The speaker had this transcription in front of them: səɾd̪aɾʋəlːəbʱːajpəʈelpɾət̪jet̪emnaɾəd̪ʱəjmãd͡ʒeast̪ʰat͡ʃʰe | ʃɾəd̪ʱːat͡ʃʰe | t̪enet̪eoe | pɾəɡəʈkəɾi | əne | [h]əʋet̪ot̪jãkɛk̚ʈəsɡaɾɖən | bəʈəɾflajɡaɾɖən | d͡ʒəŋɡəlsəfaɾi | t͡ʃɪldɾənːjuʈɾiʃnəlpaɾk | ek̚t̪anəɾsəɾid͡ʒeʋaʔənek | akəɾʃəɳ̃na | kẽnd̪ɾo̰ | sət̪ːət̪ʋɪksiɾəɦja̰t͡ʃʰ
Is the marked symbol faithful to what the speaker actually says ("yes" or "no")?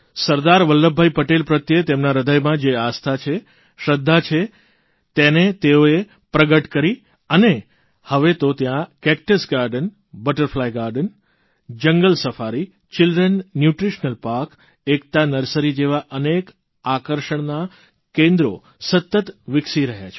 yes